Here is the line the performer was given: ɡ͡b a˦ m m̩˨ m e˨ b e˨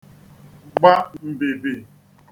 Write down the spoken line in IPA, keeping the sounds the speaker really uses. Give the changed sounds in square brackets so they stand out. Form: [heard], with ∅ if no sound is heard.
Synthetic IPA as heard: ɡ͡b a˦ m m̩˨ [b] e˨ b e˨